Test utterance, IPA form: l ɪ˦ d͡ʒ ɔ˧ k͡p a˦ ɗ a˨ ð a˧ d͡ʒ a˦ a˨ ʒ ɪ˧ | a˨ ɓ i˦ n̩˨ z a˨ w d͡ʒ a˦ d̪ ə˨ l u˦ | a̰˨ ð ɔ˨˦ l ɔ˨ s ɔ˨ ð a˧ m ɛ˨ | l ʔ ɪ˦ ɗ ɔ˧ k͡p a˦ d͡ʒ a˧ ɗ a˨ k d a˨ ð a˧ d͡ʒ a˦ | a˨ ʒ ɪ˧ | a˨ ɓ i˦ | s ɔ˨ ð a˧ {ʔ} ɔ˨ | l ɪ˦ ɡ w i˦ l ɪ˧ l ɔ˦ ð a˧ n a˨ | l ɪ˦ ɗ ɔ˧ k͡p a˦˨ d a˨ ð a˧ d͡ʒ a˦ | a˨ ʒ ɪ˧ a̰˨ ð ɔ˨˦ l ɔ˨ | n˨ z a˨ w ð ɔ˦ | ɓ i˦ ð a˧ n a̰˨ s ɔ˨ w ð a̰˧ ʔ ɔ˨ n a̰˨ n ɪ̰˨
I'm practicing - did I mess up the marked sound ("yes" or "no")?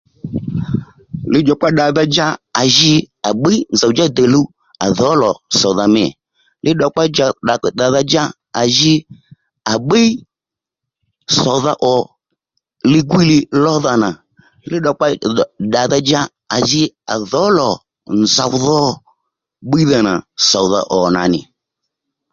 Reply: no